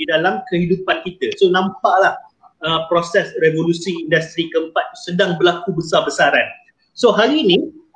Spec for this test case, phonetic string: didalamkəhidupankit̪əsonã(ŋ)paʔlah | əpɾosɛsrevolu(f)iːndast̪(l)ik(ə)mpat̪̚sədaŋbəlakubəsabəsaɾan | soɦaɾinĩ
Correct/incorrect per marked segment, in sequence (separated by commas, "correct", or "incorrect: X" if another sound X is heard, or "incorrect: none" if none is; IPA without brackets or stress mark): incorrect: m, incorrect: s, incorrect: ɾ, correct